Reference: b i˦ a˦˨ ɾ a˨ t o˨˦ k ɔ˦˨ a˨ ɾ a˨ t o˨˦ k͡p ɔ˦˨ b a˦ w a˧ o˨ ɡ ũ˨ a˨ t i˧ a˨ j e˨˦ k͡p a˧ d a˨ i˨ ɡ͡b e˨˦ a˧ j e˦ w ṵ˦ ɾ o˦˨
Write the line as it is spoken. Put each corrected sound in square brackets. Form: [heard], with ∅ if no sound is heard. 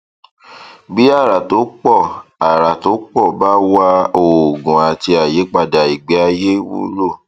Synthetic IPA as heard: b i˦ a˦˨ ɾ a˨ t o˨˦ [k͡p] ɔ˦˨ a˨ ɾ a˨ t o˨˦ k͡p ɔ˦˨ b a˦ w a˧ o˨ ɡ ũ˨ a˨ t i˧ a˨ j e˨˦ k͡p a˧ d a˨ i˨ ɡ͡b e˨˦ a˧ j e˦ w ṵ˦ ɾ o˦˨